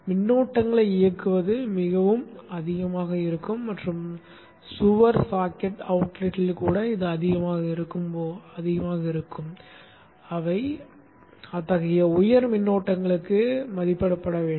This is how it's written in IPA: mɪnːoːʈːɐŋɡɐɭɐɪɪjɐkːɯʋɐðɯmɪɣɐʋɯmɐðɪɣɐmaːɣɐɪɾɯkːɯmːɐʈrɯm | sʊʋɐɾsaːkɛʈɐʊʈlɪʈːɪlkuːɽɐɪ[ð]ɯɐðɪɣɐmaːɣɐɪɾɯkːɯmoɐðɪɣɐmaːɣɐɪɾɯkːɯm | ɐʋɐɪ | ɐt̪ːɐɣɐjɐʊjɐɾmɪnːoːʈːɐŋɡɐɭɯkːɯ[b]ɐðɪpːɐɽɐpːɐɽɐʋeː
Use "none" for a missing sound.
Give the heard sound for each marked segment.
ð, m

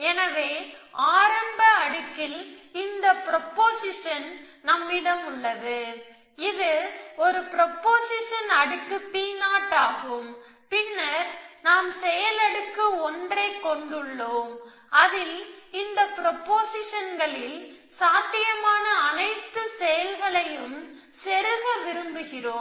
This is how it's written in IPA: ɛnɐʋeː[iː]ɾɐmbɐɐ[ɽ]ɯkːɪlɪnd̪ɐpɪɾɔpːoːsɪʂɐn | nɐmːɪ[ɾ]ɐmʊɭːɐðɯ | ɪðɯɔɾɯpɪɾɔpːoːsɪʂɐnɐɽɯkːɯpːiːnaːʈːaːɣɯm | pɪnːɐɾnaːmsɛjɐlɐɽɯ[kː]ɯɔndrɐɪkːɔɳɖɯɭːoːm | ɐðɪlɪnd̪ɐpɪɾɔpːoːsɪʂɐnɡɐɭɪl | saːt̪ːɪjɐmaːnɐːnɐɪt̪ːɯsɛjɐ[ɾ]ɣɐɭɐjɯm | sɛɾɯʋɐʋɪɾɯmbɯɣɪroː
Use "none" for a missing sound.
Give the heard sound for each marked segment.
aː, ɽ, ɽ, kː, l

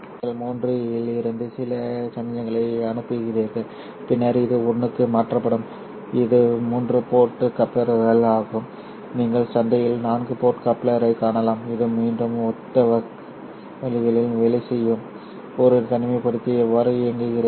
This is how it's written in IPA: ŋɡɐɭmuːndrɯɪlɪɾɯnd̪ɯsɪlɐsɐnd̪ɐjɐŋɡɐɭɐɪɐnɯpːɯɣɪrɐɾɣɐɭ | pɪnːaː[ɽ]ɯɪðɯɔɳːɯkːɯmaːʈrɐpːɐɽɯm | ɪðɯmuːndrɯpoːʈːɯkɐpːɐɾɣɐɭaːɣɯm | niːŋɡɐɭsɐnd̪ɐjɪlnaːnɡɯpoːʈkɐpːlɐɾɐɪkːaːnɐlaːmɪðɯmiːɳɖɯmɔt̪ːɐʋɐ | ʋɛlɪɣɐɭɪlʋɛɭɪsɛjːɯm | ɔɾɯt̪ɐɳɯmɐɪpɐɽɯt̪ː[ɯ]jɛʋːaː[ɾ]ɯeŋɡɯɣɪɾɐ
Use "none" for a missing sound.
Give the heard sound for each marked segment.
ɾ, ɯ, ɾ

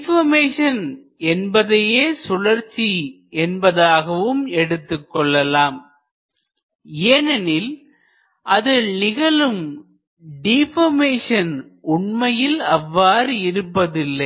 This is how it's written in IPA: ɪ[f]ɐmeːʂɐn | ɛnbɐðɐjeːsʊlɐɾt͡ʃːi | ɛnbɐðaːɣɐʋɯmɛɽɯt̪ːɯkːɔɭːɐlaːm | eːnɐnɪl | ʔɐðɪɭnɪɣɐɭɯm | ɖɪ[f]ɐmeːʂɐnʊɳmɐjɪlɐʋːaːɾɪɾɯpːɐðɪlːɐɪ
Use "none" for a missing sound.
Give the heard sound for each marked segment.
f, f

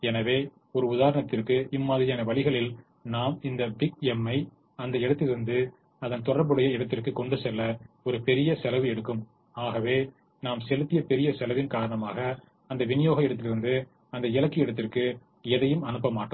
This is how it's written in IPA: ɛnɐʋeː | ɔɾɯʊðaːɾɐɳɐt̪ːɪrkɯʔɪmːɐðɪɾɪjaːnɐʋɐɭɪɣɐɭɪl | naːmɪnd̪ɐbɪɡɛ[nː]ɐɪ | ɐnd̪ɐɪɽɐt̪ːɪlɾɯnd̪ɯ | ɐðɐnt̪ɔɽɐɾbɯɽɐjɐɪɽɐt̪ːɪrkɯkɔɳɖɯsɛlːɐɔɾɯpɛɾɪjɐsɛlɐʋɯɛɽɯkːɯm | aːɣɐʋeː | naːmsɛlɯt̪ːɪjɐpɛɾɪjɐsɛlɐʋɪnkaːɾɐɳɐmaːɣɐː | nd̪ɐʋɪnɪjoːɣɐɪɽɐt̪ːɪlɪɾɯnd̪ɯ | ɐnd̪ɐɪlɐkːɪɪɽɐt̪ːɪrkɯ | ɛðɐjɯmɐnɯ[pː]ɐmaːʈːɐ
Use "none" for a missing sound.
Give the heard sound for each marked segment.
mː, pː

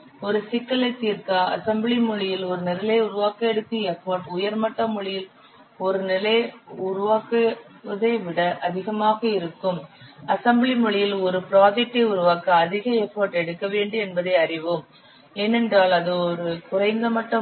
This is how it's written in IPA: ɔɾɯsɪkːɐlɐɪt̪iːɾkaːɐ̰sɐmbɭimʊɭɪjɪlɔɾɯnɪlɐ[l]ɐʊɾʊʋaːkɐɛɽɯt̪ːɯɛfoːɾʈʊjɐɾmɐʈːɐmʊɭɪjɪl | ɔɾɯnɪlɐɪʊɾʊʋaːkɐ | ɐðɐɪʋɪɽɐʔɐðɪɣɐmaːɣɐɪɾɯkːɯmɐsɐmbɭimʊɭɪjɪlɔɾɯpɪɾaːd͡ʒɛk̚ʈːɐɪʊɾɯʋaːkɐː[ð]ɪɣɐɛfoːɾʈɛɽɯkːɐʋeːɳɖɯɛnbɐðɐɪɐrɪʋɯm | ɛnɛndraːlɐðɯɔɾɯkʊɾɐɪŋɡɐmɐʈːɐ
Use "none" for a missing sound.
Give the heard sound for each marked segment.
l, ð

